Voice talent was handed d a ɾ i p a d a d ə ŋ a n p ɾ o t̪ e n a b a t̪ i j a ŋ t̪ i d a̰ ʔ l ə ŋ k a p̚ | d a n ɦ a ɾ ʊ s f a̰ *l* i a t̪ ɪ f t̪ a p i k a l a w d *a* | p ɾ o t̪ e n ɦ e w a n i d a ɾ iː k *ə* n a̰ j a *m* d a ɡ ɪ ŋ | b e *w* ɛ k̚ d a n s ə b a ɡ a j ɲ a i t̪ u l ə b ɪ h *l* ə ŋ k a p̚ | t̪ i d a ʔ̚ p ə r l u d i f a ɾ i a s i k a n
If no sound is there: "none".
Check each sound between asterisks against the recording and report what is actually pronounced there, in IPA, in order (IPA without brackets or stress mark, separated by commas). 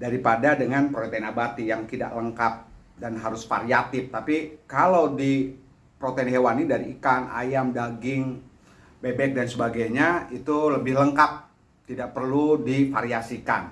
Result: ɾ, i, a, m, b, l